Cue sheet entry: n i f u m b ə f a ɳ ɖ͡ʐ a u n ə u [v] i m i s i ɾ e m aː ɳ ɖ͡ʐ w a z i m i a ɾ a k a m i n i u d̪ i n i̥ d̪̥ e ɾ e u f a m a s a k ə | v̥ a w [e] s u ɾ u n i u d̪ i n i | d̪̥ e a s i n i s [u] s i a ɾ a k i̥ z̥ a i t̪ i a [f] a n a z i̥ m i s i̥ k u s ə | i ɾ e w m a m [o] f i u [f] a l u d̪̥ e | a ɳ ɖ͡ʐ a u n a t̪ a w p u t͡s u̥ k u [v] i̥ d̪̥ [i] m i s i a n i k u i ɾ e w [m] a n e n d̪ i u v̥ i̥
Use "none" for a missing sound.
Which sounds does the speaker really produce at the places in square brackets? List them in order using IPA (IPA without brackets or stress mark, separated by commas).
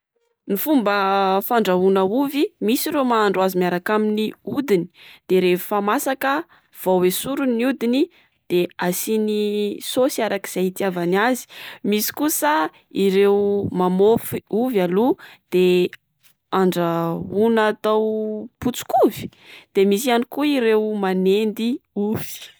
v, e, o, v, o, v, v, e, m